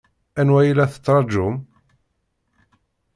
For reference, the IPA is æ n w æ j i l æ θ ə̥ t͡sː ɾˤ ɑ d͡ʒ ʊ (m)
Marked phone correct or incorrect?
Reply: correct